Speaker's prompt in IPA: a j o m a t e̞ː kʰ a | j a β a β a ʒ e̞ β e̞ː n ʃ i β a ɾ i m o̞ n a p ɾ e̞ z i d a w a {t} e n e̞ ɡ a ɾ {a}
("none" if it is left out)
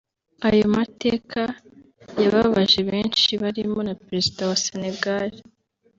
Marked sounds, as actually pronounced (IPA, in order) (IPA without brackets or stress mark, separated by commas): s, i